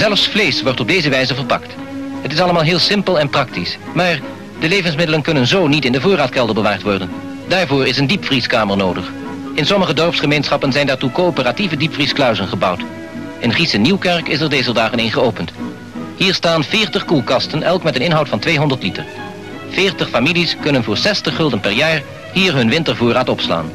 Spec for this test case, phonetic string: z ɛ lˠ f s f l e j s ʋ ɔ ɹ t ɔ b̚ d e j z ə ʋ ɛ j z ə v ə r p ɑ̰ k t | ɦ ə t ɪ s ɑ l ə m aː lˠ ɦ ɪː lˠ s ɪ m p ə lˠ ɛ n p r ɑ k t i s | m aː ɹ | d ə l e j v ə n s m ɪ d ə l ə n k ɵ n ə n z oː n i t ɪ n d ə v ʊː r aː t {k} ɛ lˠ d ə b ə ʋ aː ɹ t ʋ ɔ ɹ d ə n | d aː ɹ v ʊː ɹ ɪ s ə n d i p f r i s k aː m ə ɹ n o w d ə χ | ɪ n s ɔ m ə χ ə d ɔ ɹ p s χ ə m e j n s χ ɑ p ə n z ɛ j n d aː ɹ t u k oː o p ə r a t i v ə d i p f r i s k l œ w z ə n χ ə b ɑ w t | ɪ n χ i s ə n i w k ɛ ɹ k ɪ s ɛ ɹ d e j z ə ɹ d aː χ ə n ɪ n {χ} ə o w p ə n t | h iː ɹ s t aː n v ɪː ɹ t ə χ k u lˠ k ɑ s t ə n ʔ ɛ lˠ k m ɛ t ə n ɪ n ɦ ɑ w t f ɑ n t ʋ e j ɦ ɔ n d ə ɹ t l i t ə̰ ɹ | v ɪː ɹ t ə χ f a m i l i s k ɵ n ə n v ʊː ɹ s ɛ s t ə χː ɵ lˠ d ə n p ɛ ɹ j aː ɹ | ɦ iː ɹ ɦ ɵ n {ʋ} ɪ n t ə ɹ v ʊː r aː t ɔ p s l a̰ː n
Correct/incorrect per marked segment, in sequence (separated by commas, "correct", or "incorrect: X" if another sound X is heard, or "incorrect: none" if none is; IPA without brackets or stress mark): correct, correct, correct